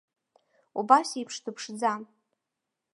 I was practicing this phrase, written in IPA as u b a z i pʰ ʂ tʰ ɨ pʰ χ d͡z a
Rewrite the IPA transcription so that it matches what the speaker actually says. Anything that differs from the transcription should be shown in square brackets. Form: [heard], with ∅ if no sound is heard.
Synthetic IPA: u b a [s] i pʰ ʂ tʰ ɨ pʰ [ʂ] d͡z a

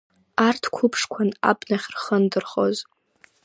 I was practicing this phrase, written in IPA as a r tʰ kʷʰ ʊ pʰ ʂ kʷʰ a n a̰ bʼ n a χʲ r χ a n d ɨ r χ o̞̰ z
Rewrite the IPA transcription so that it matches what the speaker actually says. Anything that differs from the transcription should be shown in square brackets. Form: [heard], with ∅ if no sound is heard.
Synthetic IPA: a r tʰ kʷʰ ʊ pʰ ʂ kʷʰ a n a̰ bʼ n a χʲ r χ [ə] n d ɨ r χ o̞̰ z

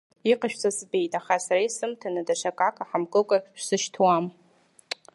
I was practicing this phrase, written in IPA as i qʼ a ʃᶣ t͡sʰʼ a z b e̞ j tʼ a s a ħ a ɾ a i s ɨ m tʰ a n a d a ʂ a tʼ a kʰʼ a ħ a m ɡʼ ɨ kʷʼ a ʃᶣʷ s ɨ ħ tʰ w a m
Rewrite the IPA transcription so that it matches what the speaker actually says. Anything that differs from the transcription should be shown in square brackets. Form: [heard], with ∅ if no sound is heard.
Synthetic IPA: i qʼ a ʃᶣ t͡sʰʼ a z b e̞ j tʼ a [χ] a [s] a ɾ a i s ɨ m tʰ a n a d a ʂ a [kʼ] a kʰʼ a ħ a m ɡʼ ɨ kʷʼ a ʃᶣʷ s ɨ [ʃ] tʰ w a m

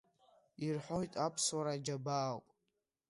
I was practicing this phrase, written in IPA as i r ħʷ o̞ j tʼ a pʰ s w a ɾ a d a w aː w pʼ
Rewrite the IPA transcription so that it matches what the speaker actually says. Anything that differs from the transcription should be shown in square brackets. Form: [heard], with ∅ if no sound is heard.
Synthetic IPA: i r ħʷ o̞ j tʼ a pʰ s w a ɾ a [d͡ʒ] a [b] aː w pʼ

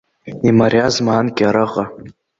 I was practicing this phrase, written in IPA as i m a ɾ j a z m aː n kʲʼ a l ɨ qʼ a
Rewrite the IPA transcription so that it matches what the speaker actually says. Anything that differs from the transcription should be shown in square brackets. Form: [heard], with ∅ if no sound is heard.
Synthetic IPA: i m a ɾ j a z m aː n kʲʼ a [ɾ] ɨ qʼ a

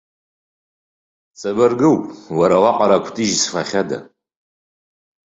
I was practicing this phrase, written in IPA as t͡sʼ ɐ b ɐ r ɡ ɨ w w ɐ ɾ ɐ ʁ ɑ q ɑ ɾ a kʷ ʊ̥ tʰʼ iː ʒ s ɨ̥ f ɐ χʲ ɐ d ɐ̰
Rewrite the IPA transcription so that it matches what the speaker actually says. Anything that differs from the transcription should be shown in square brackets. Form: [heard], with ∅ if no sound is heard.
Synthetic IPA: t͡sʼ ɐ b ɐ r ɡ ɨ w w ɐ ɾ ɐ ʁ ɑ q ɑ ɾ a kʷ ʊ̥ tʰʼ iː ʒ s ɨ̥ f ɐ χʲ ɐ d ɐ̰

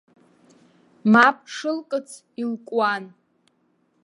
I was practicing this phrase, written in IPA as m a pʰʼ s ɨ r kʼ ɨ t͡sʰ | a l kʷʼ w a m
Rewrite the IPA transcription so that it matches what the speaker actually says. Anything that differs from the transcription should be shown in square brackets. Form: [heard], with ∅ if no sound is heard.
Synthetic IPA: m a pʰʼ [ʂ] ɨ [l] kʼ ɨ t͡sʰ | [i] l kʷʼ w a [n]

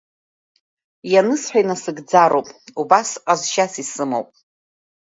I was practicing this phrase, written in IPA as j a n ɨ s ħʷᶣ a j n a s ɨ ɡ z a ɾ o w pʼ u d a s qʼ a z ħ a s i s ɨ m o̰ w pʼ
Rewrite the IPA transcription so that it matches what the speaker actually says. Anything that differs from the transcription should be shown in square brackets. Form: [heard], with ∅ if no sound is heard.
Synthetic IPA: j a n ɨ s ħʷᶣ a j n a s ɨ ɡ [d͡z] a ɾ o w pʼ u [b] a s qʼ a z [ʃ] a s i s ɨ m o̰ w pʼ

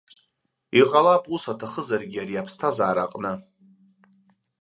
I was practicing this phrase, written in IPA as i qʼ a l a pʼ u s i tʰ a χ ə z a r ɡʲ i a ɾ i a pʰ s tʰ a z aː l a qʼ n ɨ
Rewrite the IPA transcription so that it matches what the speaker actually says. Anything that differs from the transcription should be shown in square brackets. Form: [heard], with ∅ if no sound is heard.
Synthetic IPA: i qʼ a l a pʼ u s [a] tʰ a χ ə z a r ɡʲ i a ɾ i a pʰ s tʰ a z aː [ɾ] a qʼ n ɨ

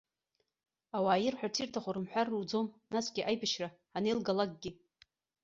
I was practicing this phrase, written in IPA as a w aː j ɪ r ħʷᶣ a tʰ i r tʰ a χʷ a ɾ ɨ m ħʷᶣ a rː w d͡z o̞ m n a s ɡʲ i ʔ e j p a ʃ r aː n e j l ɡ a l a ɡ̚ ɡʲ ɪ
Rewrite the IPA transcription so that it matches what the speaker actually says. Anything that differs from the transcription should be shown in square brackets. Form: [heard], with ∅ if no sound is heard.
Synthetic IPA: a w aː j ɪ r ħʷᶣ a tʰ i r tʰ a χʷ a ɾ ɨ m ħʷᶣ a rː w d͡z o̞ m n a s ɡʲ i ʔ [a] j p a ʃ r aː n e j l ɡ a l a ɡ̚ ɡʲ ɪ

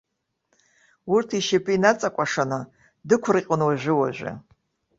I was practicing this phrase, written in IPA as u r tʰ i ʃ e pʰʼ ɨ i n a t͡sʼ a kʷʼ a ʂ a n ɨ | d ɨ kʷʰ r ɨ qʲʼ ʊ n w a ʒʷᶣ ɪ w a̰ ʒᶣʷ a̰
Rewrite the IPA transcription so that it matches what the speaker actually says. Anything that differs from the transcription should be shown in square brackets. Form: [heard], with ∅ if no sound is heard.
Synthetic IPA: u r tʰ i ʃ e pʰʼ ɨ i n a t͡sʼ a kʷʼ a ʂ a n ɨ | d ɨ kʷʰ r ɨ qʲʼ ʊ n w a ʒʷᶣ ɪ w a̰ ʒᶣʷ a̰

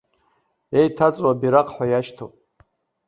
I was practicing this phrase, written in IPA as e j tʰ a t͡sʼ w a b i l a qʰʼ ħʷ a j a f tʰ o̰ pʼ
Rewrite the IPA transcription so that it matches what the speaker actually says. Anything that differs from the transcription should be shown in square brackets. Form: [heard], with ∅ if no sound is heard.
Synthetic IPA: e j tʰ a t͡sʼ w a b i [ɾ] a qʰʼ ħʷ a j a [ʃ] tʰ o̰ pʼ

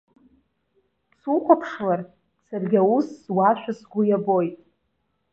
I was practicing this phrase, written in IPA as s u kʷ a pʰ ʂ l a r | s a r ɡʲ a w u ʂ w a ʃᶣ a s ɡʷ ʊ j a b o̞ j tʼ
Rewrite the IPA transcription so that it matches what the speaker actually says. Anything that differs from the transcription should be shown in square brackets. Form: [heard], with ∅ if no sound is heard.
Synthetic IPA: s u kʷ a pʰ ʂ l a r | s a r ɡʲ a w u [s] w a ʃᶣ a s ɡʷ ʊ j a b o̞ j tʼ

